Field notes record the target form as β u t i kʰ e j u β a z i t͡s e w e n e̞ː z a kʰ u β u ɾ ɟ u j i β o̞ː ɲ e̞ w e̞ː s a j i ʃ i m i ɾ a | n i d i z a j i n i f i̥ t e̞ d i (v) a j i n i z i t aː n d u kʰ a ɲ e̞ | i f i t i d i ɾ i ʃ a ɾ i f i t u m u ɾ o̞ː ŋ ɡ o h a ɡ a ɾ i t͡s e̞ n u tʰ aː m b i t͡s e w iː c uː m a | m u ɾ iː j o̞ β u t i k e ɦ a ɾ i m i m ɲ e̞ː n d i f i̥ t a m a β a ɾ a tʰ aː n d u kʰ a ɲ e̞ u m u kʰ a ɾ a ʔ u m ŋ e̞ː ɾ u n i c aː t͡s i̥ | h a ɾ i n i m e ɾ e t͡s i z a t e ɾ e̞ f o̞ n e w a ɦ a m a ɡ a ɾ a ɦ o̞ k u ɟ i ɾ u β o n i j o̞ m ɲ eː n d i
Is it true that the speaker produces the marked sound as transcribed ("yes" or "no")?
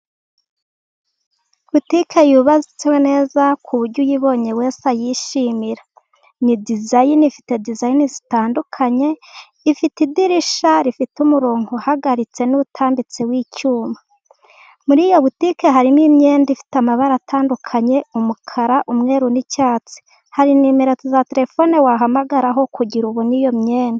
no